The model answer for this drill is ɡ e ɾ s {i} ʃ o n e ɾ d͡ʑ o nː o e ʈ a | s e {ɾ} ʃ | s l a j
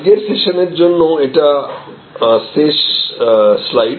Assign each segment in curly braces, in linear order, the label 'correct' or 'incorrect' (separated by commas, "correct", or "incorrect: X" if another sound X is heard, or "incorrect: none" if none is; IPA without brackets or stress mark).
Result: incorrect: e, incorrect: none